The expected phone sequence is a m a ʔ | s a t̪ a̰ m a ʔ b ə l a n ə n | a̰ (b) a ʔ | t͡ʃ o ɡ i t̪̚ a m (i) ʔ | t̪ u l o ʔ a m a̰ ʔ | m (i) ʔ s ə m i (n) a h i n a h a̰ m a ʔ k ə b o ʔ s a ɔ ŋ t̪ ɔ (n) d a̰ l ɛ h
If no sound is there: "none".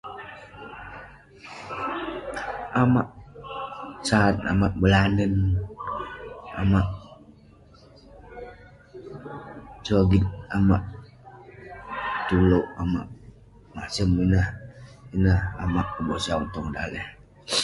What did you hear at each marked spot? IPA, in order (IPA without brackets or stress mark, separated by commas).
m, a, a, n, ŋ